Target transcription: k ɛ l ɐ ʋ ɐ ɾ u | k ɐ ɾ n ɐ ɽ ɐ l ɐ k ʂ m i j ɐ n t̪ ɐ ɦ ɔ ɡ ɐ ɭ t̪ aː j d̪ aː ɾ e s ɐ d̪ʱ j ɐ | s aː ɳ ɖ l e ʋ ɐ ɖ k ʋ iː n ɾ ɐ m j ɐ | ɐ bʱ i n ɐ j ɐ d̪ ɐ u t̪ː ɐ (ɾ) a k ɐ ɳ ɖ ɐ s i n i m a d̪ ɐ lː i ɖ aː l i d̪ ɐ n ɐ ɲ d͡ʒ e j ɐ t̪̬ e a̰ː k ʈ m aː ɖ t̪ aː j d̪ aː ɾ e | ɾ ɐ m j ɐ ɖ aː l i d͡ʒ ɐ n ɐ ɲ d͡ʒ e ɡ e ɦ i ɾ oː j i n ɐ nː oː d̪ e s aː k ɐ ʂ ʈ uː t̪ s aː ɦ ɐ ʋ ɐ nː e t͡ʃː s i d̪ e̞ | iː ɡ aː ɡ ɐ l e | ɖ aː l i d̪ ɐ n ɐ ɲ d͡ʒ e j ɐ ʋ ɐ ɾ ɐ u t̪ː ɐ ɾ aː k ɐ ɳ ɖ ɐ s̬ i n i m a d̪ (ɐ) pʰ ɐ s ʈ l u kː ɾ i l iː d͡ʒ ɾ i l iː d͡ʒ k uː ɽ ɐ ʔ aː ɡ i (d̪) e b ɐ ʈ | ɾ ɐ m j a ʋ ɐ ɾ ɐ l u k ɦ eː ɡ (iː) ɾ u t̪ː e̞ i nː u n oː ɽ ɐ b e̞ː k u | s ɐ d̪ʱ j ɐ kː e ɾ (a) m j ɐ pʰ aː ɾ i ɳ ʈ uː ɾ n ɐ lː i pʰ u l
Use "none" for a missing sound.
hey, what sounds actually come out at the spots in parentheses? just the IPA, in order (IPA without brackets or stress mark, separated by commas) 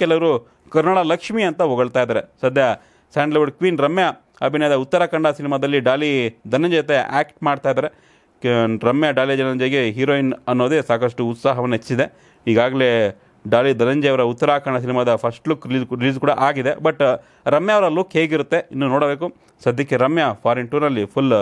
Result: ɾ, ɐ, d̪, i, ɐ